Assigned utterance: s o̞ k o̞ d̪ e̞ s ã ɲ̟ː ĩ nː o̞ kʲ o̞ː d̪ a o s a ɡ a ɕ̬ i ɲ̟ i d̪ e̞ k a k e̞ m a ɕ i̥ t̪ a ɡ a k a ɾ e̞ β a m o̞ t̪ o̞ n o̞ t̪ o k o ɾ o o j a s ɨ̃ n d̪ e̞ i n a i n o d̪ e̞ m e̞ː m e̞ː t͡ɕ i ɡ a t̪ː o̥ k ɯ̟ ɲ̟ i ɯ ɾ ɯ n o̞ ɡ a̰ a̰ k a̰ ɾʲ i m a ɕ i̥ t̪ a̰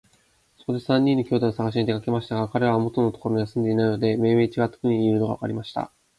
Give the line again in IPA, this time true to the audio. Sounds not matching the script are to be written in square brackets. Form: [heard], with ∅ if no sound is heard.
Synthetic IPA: s o̞ k o̞ d̪ e̞ s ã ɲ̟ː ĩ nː o̞ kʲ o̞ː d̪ a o s a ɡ a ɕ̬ i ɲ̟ i d̪ e̞ k a k e̞ m a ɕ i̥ t̪ a ɡ a k a ɾ e̞ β a m o̞ t̪ o̞ n o̞ t̪ o k o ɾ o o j a s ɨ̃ n d̪ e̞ i n a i n o d̪ e̞ m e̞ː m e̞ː t͡ɕ i ɡ a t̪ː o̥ k ɯ̟ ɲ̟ i ɯ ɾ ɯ n o̞ ɡ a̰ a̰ k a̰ ɾʲ i m a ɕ i̥ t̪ a̰